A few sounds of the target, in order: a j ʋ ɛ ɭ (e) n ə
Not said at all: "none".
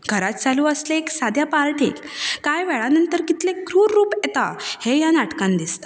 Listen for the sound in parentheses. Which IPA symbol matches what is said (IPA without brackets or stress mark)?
a